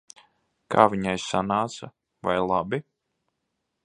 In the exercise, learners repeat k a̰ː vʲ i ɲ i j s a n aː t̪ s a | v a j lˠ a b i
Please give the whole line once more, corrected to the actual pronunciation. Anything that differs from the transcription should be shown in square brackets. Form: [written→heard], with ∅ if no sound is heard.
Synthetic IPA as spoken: k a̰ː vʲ i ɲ [i→a] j s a n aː t̪ s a | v a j lˠ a b i